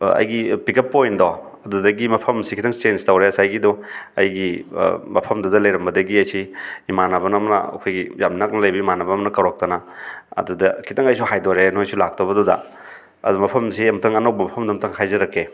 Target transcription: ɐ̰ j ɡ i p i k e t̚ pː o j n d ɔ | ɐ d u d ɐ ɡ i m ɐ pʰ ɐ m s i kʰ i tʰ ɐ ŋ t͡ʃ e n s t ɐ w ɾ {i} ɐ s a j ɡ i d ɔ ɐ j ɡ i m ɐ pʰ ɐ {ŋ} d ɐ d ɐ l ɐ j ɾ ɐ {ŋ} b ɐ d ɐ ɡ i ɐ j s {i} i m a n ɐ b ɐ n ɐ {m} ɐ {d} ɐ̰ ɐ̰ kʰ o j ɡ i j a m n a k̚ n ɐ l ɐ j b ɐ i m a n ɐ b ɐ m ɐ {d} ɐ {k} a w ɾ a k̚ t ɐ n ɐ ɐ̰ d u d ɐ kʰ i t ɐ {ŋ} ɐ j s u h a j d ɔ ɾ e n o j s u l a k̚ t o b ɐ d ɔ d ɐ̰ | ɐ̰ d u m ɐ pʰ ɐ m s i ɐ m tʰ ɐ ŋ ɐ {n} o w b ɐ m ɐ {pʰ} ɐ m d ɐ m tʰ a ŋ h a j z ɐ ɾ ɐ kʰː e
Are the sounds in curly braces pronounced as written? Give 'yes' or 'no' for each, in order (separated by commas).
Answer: no, no, no, yes, yes, no, no, yes, yes, yes, yes